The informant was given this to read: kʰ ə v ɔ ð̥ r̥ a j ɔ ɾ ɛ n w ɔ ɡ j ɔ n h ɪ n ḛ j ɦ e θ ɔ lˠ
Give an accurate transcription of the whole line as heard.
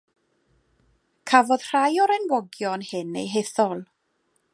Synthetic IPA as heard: kʰ a v ɔ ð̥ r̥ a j ɔ ɾ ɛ n w ɔ ɡ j ɔ n h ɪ n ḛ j ɦ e θ ɔ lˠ